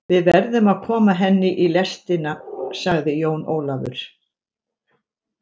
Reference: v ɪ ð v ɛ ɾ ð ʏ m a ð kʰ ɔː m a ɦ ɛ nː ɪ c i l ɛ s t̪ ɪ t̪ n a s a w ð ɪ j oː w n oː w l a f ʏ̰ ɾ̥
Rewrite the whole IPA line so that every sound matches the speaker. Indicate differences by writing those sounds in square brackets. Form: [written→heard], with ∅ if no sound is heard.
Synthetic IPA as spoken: v ɪ ð v ɛ ɾ ð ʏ m a ð kʰ ɔː m a ɦ ɛ nː ɪ [c→ʔ] i l ɛ s t̪ ɪ [t̪→∅] n a s a [w→ɣ] ð ɪ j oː w n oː w l a [f→v] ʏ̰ ɾ̥